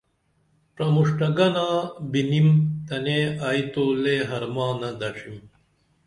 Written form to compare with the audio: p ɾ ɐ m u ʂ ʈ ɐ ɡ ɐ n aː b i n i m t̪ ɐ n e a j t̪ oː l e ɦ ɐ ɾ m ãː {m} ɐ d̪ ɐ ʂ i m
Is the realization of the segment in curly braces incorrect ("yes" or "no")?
yes